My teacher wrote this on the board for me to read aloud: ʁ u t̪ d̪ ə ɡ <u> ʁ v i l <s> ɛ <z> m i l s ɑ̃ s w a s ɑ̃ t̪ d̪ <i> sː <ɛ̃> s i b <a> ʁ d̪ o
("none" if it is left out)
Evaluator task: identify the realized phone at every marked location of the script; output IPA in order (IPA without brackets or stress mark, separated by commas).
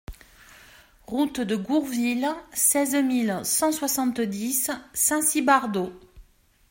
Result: u, s, z, i, ɛ̃, a